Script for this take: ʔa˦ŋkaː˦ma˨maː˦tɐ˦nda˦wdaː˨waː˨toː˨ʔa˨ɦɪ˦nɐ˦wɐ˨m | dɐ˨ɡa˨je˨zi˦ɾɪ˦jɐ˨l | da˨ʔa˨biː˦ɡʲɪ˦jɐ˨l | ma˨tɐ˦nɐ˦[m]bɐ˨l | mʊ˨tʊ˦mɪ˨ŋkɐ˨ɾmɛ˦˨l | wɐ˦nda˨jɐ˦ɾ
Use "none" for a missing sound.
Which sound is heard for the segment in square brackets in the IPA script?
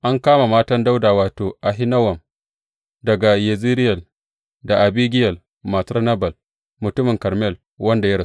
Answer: none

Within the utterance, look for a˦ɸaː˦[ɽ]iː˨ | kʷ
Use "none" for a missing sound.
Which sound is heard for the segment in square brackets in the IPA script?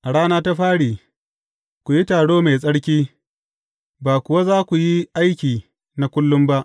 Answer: ɽ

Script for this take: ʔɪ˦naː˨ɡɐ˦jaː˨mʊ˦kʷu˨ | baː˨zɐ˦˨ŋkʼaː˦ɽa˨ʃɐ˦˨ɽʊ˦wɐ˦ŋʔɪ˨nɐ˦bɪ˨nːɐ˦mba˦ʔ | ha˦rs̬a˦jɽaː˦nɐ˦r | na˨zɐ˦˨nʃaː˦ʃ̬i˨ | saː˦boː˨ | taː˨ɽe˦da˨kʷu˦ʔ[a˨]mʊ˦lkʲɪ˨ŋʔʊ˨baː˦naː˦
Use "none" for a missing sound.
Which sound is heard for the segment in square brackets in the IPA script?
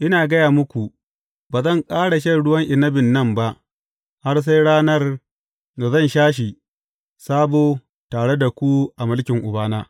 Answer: a˨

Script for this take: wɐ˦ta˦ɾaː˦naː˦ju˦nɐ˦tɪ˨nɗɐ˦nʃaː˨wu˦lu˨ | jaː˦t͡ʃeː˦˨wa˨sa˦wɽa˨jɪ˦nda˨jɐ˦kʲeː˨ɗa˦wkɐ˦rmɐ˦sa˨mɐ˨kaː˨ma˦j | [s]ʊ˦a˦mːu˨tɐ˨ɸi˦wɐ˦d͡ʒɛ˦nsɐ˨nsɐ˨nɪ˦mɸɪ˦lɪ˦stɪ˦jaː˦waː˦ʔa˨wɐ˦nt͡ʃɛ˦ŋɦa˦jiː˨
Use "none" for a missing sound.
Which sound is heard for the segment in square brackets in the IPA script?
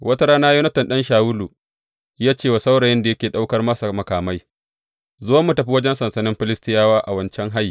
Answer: z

